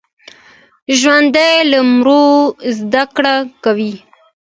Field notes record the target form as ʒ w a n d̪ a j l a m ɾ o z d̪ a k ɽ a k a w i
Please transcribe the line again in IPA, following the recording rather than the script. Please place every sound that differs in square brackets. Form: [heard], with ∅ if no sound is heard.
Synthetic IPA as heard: ʒ w a n d̪ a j l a m ɾ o z d̪ a k ɽ a k a w i